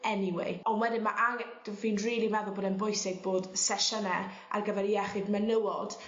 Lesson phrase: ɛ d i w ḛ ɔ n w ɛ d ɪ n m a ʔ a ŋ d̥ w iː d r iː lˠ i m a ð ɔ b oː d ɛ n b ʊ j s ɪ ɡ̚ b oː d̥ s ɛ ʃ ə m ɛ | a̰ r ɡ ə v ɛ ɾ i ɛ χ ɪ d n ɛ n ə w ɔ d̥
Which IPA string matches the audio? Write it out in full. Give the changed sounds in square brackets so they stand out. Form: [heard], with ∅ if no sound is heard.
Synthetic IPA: ɛ [n] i w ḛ ɔ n w ɛ d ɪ n m a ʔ a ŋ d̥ [v] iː [n] r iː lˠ i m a ð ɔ b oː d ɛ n b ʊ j s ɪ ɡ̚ b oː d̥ s ɛ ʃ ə [n] ɛ | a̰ r ɡ ə v ɛ ɾ i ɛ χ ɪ d [m] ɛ n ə w ɔ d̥